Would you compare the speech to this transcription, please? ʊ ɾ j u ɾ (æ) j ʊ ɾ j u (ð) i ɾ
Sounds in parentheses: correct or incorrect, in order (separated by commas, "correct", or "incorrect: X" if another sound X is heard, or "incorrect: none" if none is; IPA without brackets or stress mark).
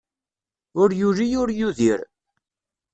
incorrect: i, correct